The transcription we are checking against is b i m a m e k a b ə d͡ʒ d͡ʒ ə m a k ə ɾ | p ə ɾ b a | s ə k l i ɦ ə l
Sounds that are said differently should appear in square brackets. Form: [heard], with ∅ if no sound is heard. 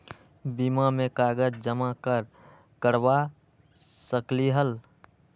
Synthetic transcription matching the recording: b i m a m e k a [ɡ] ə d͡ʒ d͡ʒ ə m a k ə ɾ | [k] ə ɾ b a | s ə k l i ɦ ə l